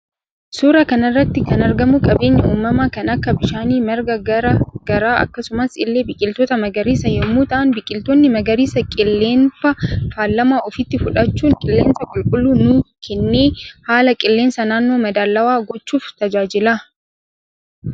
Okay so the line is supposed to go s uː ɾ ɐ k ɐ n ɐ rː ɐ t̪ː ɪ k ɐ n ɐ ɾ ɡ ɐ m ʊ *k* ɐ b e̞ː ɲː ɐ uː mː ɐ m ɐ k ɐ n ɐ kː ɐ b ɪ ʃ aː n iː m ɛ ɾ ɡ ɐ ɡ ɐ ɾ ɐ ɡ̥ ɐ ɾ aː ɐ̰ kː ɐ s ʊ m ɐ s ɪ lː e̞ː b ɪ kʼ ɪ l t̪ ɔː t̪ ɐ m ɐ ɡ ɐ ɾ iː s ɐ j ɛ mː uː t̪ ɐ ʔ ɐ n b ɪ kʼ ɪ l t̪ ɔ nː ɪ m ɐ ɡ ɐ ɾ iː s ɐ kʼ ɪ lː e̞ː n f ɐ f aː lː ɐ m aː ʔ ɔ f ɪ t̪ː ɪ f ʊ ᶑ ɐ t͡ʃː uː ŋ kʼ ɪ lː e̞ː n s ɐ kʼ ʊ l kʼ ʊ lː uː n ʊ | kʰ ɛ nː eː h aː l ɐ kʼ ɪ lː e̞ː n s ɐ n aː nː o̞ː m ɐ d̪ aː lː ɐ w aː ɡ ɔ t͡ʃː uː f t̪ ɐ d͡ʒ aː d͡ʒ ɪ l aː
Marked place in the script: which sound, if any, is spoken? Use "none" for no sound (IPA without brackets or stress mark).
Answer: kʼ